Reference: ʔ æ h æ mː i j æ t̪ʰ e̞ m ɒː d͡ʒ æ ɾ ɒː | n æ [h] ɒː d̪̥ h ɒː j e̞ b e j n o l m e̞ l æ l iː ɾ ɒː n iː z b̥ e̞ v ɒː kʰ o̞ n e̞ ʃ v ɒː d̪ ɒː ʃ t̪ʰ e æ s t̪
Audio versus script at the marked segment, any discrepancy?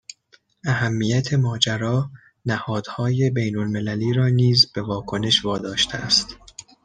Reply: no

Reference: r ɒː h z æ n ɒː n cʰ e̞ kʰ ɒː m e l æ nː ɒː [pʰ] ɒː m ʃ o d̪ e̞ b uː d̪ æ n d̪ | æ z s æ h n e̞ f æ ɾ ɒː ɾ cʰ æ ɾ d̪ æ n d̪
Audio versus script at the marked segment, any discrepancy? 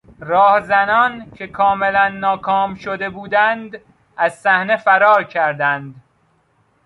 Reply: yes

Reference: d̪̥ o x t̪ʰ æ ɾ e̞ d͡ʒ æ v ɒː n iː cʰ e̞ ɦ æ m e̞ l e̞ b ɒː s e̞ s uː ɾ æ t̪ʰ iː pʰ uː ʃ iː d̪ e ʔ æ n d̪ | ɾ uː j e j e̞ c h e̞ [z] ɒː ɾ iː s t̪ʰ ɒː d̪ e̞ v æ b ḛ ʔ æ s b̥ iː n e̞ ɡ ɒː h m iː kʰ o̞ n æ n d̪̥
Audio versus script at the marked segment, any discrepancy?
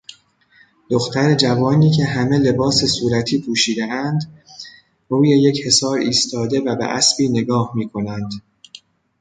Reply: yes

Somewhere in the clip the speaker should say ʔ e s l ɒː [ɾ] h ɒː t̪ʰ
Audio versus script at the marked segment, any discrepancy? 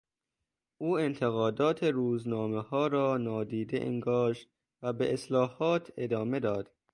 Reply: yes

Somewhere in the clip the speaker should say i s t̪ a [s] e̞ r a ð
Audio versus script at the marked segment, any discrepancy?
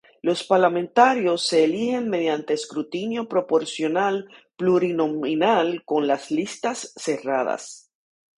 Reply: yes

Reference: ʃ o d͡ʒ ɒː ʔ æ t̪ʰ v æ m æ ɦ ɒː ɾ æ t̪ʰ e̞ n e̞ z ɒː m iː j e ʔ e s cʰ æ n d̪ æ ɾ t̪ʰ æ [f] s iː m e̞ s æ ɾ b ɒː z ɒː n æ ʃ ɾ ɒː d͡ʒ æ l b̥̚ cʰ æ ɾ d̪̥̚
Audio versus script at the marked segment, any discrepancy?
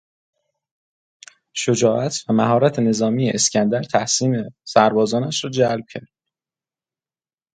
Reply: yes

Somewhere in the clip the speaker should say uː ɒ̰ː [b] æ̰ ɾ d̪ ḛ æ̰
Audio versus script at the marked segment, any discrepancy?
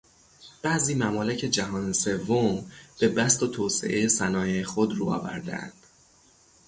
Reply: yes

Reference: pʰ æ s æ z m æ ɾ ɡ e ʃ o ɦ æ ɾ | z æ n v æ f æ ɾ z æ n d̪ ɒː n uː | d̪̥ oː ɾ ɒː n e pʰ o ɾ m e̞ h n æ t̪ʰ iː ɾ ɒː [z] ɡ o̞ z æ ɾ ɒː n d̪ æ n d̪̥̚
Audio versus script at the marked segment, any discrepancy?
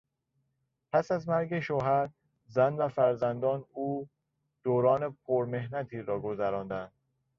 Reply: yes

